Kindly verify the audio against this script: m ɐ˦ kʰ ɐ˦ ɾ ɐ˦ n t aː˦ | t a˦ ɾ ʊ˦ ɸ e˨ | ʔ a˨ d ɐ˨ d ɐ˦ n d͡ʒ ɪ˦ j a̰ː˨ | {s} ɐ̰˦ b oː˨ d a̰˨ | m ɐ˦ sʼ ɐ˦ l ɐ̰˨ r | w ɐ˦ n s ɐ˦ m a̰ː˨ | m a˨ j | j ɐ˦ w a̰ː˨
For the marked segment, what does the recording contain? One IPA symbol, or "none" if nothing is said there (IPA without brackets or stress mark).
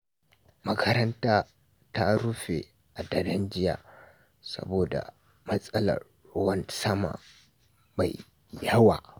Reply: s